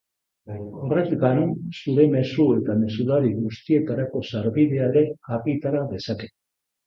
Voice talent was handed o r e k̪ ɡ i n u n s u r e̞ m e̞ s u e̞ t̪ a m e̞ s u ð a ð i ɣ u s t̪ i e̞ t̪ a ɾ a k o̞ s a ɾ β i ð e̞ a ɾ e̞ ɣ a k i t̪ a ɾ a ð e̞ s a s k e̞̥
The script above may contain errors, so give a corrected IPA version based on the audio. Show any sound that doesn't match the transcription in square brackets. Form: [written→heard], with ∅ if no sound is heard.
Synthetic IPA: o r e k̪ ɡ [i→a] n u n s u [r→ɾ] e̞ m e̞ s u e̞ t̪ a m e̞ s u ð a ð i ɣ u s t̪ i e̞ t̪ a ɾ a k o̞ s a ɾ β i ð e̞ a ɾ e̞ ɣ a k i t̪ a ɾ a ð e̞ s a [s→∅] k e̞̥